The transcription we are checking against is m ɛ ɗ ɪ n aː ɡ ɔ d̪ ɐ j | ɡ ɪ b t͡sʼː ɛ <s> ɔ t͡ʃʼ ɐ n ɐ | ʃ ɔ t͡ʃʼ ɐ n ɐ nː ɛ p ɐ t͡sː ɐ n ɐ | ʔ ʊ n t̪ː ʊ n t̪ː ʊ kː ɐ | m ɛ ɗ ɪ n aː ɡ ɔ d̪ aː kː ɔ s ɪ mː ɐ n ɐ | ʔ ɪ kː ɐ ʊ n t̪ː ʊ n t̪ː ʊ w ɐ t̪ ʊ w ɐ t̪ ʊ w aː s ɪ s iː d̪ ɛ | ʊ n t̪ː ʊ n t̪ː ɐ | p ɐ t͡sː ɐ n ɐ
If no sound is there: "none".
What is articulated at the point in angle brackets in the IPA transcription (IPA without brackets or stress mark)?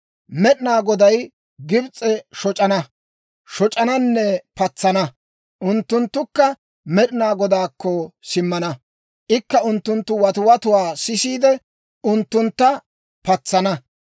ʃ